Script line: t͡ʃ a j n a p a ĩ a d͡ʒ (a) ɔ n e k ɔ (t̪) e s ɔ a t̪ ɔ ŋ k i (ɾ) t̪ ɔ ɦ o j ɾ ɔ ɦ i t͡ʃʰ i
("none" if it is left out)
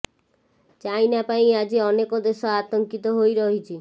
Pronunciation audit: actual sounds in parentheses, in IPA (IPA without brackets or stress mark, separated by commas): i, d̪, none